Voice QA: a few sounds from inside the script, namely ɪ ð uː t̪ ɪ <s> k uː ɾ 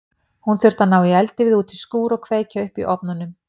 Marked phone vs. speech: correct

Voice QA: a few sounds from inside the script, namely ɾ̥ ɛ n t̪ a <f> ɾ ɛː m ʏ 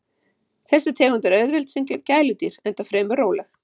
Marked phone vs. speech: correct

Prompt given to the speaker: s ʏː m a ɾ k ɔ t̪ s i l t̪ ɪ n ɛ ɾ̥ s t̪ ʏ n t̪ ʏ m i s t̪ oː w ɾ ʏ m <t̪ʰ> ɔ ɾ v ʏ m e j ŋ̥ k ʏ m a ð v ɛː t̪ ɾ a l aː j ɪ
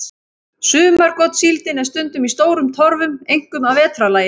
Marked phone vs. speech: correct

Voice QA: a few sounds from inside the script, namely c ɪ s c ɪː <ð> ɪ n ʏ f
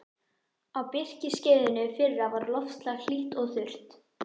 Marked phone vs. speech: correct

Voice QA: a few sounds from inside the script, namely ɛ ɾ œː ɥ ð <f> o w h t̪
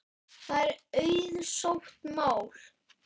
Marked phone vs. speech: incorrect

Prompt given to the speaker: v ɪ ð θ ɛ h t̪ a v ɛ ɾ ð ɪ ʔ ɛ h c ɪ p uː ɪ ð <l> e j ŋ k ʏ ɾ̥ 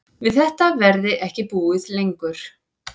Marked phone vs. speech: correct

